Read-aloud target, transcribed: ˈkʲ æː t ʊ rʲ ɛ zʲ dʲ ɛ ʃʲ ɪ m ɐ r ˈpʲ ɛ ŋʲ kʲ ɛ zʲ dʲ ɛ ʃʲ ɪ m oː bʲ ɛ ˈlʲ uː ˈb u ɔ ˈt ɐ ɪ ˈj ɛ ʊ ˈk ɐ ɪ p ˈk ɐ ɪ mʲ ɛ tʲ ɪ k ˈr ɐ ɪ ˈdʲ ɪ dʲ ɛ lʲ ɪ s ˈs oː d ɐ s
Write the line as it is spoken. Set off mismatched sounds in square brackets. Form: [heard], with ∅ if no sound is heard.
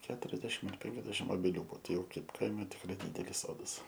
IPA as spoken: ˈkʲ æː t ʊ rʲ ɛ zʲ dʲ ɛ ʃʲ ɪ m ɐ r ˈpʲ ɛ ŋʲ kʲ ɛ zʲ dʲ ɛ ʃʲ ɪ m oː bʲ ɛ ˈlʲ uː ˈb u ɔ ˈt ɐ ɪ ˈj ɛ ʊ ˈk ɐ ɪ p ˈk ɐ ɪ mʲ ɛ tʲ ɪ k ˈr ɐ ɪ ˈdʲ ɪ dʲ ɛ lʲ ɪ s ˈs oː d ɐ s